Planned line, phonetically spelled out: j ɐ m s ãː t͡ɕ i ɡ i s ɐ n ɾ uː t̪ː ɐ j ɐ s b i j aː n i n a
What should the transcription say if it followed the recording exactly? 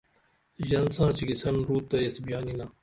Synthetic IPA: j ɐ n s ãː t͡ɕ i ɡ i s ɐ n ɾ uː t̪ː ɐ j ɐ s b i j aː n i n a